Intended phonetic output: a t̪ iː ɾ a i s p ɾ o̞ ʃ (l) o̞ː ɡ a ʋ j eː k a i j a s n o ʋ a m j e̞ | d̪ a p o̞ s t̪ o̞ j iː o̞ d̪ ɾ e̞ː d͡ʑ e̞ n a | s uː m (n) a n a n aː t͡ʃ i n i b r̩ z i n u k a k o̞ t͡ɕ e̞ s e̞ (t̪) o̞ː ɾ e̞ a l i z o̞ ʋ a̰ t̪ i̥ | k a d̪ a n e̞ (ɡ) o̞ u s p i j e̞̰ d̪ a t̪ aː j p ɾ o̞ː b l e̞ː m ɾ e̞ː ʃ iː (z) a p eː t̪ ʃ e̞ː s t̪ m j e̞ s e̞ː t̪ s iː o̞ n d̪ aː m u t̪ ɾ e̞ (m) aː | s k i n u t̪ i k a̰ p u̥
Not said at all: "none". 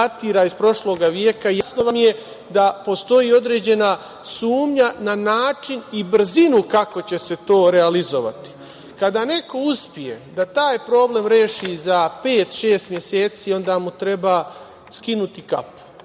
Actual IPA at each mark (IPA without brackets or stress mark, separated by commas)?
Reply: l, ɲ, t̪, k, z, b